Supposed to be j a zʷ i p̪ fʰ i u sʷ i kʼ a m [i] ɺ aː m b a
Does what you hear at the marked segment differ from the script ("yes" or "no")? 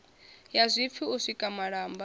yes